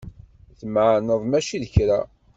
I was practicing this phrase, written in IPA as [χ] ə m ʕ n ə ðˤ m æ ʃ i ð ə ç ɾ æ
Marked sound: incorrect: θ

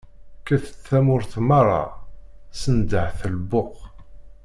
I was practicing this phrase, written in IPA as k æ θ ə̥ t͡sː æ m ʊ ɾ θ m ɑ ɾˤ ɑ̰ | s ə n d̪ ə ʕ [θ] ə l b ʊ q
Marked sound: correct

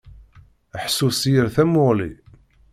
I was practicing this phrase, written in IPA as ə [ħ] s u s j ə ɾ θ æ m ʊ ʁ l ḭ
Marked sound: correct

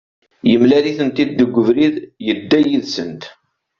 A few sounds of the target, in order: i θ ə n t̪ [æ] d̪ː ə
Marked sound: incorrect: i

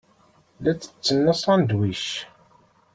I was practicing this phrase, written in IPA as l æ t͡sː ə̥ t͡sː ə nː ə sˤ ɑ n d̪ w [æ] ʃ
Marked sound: incorrect: i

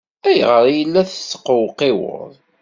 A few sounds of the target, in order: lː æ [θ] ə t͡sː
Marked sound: correct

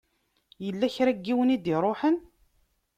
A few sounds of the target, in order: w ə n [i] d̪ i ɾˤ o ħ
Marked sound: correct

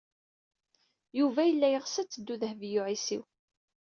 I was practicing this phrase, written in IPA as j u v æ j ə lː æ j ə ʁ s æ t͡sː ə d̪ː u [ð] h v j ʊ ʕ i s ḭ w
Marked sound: correct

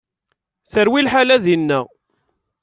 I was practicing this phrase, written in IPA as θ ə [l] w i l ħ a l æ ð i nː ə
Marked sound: incorrect: ɾ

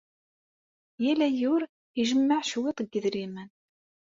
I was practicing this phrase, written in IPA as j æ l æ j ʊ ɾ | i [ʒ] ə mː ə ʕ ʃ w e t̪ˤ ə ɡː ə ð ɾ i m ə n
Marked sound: correct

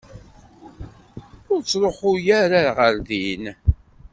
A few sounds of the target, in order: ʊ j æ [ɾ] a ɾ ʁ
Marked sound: correct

